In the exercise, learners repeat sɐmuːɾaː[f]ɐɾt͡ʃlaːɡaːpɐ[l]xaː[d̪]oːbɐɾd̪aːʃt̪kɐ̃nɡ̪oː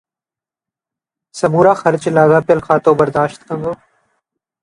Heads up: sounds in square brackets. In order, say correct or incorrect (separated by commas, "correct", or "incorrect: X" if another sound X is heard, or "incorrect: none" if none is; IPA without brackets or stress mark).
incorrect: x, correct, incorrect: t̪